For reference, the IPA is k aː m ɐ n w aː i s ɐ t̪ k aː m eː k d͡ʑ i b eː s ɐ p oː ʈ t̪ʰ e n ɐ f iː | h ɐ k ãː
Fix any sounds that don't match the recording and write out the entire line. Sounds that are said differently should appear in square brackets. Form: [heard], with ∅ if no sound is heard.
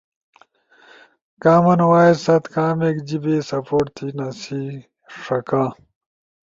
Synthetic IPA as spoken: k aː m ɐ n w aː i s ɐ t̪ k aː m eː k d͡ʑ i b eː s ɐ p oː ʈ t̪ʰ [i] n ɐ [s] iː | [ʂ] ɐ k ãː